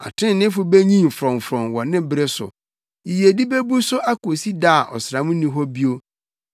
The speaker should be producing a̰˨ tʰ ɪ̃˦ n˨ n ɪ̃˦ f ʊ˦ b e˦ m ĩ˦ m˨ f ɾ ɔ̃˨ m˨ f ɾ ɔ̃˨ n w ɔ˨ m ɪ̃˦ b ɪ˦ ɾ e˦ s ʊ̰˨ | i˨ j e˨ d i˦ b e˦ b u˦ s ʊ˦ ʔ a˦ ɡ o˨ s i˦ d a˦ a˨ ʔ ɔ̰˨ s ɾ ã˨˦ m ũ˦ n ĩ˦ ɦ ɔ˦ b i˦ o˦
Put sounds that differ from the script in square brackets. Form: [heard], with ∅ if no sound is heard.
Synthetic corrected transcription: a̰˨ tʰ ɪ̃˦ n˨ n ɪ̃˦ f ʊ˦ b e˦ [ɲ] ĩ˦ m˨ f ɾ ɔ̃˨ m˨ f ɾ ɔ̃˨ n w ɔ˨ [n] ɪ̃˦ b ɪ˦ ɾ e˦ s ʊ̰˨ | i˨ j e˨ d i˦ b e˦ b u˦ s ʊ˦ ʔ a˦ [k] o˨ s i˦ d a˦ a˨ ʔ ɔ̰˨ s ɾ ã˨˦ m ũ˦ n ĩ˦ ɦ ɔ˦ b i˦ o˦

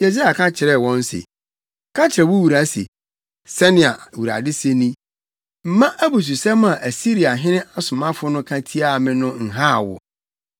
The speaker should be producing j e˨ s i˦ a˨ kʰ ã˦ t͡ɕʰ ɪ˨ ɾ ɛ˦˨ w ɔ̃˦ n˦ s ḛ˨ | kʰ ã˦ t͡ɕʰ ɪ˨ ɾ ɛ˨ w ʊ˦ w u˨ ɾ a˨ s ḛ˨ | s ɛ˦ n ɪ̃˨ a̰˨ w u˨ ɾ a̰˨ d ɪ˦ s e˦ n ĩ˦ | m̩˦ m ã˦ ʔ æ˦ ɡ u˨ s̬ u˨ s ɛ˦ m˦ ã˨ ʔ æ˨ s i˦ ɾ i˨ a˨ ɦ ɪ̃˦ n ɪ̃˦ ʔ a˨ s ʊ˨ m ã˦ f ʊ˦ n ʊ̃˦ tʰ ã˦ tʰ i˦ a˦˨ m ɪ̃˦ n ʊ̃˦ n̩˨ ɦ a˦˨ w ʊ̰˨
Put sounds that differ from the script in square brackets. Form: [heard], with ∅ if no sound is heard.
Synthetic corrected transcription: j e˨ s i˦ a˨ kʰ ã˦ t͡ɕʰ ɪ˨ ɾ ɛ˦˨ w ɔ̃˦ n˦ s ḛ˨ | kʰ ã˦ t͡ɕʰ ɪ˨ ɾ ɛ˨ w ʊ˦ w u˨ ɾ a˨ s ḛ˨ | s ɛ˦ n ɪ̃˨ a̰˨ w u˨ ɾ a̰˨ d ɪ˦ s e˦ n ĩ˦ | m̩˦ m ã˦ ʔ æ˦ [b] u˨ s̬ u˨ s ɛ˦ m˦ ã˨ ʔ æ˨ s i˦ ɾ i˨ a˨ ɦ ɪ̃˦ n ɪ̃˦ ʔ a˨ s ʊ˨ m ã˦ f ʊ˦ n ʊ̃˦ [kʰ] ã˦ tʰ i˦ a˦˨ m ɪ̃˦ n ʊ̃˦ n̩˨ ɦ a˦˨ w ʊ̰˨

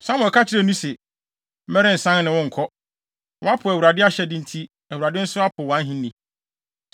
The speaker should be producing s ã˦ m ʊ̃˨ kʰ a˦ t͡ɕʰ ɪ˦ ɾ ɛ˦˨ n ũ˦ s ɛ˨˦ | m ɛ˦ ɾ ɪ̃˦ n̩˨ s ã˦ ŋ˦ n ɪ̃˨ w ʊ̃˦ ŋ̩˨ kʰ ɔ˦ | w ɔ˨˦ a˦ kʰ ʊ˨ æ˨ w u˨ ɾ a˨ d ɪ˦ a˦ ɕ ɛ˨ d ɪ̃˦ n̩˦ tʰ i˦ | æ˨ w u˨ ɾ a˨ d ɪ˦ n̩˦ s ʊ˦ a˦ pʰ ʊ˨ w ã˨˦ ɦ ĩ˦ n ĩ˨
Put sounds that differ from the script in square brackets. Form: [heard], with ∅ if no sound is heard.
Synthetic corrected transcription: s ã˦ m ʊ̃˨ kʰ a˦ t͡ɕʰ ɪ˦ ɾ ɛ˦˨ n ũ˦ s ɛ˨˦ | m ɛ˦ ɾ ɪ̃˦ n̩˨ s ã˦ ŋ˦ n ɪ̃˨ w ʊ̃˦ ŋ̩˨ kʰ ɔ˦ | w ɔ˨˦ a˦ [pʰ] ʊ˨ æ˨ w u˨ ɾ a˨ d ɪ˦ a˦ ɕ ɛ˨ d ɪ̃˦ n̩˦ tʰ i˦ | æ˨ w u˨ ɾ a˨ d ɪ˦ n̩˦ s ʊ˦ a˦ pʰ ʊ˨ w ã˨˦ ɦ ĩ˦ n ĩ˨

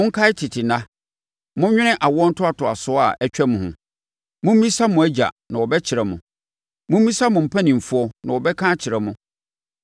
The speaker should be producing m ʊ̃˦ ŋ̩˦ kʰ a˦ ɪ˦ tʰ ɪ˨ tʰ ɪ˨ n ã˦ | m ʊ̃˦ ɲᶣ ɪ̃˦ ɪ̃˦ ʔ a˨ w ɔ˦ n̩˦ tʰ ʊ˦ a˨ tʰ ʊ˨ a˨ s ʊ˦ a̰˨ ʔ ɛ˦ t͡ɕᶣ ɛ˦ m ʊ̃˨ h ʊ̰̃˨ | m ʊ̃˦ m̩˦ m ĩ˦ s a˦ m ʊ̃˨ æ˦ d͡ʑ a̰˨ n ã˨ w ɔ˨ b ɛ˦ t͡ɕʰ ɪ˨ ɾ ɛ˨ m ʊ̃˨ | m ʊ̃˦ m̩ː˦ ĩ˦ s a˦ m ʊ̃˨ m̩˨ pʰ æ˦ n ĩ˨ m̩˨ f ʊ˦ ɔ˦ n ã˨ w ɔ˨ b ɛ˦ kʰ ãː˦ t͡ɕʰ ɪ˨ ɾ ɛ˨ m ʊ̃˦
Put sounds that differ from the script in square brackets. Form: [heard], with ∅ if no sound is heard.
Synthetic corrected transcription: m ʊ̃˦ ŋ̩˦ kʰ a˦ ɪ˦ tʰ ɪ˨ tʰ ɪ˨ n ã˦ | m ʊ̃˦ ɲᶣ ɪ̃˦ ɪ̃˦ ʔ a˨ w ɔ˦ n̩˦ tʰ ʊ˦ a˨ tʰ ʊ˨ a˨ s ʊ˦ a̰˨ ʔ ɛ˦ t͡ɕᶣ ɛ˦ m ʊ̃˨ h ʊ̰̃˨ | m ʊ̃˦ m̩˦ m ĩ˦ s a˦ m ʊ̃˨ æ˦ d͡ʑ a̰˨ n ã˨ w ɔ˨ b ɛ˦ t͡ɕʰ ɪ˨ ɾ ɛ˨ m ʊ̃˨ | m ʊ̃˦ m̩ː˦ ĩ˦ s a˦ m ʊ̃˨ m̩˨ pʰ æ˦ n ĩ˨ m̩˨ f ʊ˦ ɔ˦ n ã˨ w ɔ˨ b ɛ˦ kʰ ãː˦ t͡ɕʰ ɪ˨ ɾ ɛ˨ m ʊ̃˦

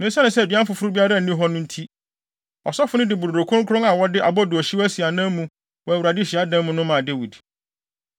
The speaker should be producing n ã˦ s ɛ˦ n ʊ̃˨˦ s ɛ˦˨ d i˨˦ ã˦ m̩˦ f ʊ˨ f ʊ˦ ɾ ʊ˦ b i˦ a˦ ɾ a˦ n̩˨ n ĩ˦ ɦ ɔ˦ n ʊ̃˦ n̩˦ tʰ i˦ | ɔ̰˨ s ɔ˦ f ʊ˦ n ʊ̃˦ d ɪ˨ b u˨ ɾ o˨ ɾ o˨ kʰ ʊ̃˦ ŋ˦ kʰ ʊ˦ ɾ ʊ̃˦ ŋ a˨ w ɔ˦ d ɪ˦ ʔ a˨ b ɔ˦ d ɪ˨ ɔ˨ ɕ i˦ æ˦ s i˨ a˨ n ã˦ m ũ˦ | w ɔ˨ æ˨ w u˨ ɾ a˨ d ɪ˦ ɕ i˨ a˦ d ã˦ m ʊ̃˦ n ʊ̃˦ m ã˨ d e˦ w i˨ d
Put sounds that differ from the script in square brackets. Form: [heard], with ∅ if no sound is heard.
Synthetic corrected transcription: n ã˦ s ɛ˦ n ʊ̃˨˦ s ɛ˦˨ d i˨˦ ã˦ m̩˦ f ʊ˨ f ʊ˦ ɾ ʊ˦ b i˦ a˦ ɾ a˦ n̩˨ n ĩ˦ ɦ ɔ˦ n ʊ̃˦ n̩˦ tʰ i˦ | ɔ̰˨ s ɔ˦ f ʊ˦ n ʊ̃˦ d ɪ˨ b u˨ ɾ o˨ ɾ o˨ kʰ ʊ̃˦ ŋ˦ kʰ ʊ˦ ɾ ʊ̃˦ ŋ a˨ w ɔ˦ d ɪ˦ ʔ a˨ b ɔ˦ d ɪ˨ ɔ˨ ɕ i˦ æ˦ s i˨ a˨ n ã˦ m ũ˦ | w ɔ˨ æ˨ w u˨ ɾ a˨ d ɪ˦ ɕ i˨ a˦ d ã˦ m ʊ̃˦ n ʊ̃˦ m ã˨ d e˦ w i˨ d

